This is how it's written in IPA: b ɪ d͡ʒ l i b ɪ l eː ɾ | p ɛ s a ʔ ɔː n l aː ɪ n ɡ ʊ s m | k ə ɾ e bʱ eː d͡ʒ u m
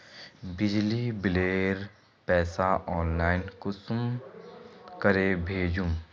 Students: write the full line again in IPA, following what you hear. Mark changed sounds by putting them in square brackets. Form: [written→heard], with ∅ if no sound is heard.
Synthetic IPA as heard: b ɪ d͡ʒ l i b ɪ l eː ɾ | p [ɛ→ɛː] s a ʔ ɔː n l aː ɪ n [ɡ→k] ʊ s m | k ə ɾ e bʱ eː d͡ʒ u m